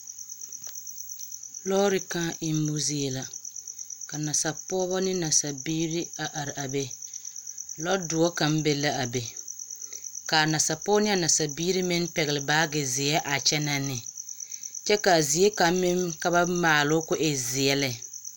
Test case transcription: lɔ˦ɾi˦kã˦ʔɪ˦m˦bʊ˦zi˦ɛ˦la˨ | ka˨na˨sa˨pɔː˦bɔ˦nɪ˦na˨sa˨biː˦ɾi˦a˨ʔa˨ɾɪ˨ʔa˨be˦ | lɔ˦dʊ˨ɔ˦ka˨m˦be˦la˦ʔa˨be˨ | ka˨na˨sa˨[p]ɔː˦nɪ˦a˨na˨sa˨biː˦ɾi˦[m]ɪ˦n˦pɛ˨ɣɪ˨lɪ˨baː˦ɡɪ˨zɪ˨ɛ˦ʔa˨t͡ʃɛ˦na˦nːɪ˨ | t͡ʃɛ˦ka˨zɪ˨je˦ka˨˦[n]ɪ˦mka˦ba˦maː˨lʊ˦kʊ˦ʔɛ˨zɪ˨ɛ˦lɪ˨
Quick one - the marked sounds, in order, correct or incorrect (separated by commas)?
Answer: correct, correct, incorrect